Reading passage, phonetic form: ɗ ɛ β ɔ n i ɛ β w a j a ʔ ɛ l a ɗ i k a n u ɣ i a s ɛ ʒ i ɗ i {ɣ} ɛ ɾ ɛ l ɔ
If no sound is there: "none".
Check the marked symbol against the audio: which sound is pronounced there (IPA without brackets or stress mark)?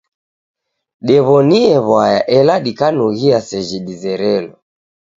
z